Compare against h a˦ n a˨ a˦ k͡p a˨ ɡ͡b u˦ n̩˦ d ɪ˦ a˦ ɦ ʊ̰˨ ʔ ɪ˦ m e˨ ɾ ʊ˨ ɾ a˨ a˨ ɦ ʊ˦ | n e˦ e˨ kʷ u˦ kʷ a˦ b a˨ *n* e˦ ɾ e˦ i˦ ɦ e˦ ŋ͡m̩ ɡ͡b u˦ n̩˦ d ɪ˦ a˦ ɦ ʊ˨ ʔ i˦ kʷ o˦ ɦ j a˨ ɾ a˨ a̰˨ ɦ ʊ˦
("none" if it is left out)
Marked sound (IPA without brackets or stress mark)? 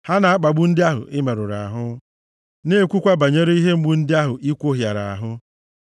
ɲ